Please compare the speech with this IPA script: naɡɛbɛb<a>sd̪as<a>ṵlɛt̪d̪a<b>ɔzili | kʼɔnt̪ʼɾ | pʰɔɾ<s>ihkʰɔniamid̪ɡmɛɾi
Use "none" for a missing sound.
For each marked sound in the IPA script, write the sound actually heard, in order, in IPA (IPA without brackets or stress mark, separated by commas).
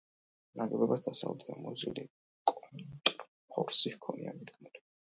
a, a, m, s